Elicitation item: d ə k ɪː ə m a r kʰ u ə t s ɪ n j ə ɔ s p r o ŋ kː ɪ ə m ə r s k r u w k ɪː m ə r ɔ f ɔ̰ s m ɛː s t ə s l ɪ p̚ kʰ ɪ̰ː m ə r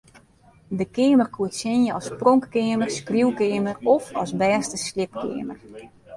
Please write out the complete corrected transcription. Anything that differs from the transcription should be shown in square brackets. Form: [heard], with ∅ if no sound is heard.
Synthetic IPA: d ə k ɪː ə m [ə] r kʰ u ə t s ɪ n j ə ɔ s p r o ŋ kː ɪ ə m ə r s k r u w k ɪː m ə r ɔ f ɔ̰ s [b] ɛː s t ə s l ɪ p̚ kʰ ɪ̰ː m ə r